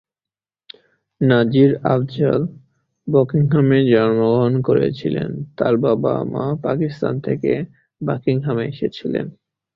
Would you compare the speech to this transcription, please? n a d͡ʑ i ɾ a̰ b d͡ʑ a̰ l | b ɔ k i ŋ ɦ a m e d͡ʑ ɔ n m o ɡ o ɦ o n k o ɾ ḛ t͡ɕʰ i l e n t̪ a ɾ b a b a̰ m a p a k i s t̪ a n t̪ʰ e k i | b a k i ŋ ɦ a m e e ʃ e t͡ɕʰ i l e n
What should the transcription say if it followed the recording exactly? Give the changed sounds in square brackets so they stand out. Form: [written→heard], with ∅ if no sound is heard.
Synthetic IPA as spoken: n a d͡ʑ i ɾ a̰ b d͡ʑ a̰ l | b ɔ k i ŋ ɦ a m e d͡ʑ ɔ n m o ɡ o ɦ o n k o ɾ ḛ t͡ɕʰ i l e n t̪ a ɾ b a b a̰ m a p a k i s t̪ a n t̪ʰ e k [i→e] | b a k i ŋ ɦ a m e e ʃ e t͡ɕʰ i l e n